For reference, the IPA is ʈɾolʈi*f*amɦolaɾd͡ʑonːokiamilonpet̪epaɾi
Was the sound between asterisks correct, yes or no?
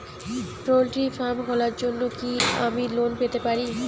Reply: yes